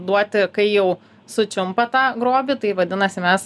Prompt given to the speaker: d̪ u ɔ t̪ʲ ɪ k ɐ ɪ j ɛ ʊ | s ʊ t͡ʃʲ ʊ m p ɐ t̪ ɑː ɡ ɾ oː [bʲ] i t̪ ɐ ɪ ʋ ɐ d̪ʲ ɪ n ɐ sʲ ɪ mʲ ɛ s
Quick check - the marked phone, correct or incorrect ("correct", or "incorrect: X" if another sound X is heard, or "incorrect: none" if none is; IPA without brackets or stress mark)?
correct